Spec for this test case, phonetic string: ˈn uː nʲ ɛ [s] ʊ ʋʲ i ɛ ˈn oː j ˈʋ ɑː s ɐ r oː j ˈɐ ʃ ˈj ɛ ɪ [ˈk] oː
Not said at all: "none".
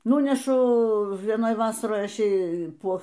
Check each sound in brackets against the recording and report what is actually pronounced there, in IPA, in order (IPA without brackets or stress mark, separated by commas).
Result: ʃ, p